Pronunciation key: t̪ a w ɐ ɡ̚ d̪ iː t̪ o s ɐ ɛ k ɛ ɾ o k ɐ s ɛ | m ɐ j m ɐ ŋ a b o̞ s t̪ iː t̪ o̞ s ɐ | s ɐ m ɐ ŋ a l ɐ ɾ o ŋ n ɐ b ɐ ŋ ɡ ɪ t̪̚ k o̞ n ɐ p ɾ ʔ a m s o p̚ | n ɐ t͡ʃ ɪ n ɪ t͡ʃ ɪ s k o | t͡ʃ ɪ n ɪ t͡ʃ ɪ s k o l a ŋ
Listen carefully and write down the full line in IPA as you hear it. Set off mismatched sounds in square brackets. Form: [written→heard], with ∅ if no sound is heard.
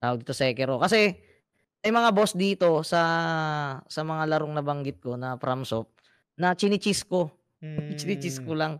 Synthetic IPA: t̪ a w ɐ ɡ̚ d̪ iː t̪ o s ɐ ɛ k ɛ ɾ o k ɐ s ɛ | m ɐ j m ɐ ŋ a b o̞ s [t̪→d̪] iː t̪ o̞ s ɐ | s ɐ m ɐ ŋ a l ɐ ɾ o ŋ n ɐ b ɐ ŋ ɡ ɪ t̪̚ k o̞ n ɐ p ɾ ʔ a m s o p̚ | n ɐ t͡ʃ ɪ n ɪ t͡ʃ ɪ s k o | t͡ʃ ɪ n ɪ t͡ʃ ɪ s k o l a ŋ